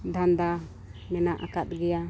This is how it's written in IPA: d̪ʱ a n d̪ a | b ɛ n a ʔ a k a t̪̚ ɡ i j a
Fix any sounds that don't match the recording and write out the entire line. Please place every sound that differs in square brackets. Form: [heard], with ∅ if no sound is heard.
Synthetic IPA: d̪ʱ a n d̪ a | [m] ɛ n a ʔ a k a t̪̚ ɡ [ɛ] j a